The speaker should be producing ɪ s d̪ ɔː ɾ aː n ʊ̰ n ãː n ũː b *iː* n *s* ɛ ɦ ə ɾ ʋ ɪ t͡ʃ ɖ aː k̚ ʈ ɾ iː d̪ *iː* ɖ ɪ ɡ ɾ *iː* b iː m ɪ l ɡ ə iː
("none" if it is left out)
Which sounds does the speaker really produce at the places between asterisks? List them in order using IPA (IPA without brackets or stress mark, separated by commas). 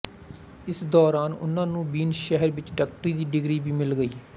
iː, ʃ, iː, iː